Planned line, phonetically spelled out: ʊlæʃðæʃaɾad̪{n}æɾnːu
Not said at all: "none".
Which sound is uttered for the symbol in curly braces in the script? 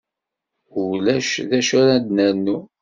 n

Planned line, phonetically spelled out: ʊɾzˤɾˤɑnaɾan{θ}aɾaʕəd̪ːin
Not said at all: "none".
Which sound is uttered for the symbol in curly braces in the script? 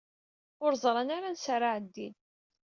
s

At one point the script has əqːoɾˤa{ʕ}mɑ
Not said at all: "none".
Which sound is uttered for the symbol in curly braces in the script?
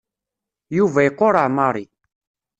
ʕ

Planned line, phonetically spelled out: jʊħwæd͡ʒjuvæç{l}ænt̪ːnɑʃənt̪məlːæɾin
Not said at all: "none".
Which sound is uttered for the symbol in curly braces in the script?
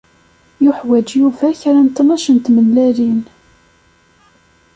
ɾ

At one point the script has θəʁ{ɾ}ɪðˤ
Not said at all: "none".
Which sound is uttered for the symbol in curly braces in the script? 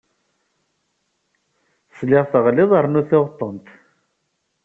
l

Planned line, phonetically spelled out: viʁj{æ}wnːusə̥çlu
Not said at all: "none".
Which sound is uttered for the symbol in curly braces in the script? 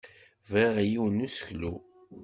i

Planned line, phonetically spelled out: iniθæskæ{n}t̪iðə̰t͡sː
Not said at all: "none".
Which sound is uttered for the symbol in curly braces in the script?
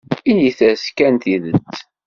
n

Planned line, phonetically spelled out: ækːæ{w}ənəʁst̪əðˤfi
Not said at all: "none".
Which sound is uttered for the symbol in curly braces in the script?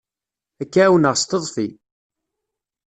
w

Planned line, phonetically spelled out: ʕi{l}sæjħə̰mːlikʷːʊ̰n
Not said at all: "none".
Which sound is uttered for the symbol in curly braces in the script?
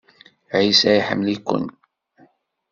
none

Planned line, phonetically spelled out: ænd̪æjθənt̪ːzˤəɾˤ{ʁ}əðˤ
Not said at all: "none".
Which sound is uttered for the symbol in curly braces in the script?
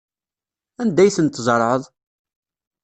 ʕ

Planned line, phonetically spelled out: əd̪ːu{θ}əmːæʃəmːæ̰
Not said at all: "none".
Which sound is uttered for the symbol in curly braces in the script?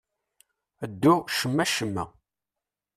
ʃ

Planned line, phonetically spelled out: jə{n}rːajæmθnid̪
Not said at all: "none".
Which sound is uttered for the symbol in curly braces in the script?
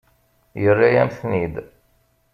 none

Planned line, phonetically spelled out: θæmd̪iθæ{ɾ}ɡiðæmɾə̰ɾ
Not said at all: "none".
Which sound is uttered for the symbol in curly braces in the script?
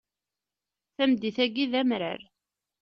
none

